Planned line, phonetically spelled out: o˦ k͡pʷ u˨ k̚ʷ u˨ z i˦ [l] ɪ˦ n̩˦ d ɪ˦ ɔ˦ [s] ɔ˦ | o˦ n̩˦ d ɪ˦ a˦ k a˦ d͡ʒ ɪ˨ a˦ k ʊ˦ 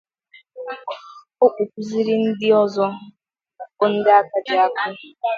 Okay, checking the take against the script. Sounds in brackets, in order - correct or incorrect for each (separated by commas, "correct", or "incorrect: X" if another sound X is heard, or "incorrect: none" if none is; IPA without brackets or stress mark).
incorrect: ɾ, incorrect: z